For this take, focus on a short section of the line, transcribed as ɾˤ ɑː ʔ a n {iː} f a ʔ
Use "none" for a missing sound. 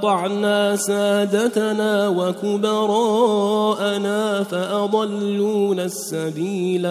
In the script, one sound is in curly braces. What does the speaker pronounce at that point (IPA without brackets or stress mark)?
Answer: aː